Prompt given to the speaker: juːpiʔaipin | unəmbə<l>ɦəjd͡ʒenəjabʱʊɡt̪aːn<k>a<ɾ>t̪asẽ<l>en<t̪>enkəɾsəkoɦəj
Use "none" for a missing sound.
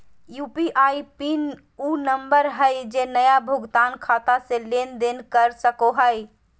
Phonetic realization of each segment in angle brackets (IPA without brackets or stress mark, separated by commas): ɾ, kʰ, none, l, d̪